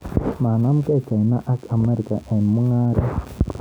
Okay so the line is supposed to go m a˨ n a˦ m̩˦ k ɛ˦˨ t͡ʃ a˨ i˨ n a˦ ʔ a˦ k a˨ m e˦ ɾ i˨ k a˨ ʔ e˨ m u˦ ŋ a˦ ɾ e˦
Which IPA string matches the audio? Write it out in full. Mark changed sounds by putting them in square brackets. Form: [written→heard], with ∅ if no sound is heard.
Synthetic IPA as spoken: m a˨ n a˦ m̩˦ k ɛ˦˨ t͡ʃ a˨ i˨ n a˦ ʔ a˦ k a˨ m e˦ ɾ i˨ k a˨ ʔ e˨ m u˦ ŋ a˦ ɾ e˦

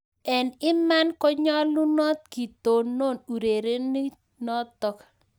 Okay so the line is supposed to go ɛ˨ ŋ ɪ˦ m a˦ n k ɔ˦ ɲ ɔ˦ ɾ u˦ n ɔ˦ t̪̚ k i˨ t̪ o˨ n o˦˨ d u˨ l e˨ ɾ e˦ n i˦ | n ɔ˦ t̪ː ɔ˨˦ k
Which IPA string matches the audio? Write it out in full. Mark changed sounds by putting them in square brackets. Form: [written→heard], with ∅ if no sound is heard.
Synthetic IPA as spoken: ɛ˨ [ŋ→n] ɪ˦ m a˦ n k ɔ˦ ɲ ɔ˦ [ɾ→l] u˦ n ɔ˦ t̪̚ k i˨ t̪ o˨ n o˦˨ [d→n] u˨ [l→ɾ] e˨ ɾ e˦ n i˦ | n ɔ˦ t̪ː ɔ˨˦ k

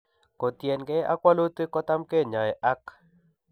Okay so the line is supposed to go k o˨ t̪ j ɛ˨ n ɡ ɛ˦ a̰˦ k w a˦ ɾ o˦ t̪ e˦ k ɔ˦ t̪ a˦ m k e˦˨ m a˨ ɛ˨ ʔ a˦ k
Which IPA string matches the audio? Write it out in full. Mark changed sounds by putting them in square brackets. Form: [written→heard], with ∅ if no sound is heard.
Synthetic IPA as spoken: k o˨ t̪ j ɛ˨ n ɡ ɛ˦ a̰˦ k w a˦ [ɾ→l] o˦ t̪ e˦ k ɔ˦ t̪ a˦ m k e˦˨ [m→ɲ] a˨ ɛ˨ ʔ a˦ k

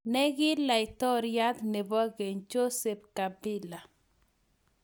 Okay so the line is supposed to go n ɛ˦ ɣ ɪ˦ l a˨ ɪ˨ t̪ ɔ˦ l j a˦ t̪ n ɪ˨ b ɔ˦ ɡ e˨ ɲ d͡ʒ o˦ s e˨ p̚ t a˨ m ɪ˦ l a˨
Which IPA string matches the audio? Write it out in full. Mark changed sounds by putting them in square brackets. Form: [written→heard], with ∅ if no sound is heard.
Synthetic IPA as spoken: n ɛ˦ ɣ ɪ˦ l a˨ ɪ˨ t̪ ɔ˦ [l→ɾ] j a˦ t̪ n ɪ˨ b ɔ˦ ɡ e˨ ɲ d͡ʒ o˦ s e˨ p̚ [t→k] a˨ [m→b] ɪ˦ l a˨

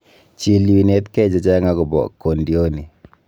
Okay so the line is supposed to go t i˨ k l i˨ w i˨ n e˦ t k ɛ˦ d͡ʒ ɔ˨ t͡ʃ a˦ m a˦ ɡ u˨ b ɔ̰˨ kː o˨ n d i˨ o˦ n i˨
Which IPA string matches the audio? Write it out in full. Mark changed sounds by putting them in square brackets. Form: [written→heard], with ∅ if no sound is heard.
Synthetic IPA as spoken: [t→t͡ʃ] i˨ [k→∅] l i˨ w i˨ n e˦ t k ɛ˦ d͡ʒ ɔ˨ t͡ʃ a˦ [m→ŋ] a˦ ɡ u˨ b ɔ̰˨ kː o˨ n d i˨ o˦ n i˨

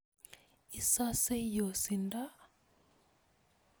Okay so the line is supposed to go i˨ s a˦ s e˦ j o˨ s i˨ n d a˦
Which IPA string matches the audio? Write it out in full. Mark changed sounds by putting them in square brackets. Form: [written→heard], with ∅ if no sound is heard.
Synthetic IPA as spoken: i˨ s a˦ s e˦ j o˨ s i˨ n d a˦

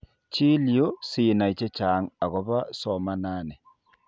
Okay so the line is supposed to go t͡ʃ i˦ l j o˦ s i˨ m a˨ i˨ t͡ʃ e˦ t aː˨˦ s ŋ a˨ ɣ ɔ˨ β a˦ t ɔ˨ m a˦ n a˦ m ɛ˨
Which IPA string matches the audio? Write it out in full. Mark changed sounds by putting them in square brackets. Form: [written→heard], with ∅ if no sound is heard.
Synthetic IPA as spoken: t͡ʃ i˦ l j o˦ s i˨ [m→n] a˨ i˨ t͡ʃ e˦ [t→t͡ʃ] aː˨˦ [s→∅] ŋ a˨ ɣ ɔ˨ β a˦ [t→s] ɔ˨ m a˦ n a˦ [m→n] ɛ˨

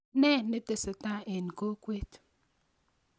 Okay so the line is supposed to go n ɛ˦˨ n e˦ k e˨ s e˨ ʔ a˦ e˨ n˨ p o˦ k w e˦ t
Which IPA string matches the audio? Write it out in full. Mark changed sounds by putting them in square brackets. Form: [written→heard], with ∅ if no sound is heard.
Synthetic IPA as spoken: n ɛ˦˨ n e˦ [k→t] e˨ s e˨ [ʔ→t] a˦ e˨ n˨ [p→k] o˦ k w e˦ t

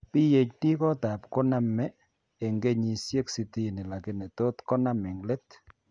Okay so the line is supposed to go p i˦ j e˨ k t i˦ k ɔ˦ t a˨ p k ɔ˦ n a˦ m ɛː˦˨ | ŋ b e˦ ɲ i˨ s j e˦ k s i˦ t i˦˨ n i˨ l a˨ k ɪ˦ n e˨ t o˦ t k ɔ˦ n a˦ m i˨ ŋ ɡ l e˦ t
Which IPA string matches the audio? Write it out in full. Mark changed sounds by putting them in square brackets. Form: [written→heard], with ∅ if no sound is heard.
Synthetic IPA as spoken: p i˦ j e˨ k t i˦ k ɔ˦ t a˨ p k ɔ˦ n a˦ m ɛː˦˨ | ŋ [b→ɡ] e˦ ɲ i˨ s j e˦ k s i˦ t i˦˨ n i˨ l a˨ k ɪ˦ n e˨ t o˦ t k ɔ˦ n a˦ m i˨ ŋ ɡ l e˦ t

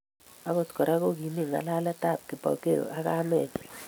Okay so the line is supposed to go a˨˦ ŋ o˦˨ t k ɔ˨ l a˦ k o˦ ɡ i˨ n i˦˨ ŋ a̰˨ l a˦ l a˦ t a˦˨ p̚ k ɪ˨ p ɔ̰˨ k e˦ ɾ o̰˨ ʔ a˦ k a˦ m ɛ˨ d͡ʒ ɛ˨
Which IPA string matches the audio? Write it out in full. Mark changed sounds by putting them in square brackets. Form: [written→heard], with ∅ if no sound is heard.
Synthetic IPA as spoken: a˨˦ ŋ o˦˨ t k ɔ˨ [l→ɾ] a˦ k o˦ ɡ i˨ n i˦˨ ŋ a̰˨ l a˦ l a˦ t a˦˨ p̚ k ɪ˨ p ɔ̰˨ k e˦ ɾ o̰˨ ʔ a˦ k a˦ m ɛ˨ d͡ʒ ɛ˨

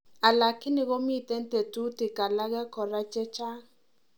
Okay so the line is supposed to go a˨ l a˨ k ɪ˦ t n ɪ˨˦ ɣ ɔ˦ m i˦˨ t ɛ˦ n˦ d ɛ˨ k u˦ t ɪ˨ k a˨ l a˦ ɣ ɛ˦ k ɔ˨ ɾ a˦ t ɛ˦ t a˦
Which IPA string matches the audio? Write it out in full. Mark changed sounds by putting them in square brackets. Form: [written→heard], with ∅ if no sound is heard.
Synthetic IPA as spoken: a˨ l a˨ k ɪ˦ [t→∅] n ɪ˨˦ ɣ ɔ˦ m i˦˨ t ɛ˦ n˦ [d→t] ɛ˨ [k→t] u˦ t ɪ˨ k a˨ l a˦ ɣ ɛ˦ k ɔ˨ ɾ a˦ [t→t͡ʃ] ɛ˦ [t→t͡ʃ] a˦

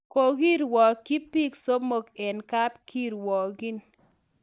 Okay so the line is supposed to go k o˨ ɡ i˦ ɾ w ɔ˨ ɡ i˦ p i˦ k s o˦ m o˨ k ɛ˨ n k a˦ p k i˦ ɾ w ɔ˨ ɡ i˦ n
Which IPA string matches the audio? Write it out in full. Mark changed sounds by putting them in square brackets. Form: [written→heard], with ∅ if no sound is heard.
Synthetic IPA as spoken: k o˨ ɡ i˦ ɾ w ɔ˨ [ɡ→k] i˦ p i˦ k s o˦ m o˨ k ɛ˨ n k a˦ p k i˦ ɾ w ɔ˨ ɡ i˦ n

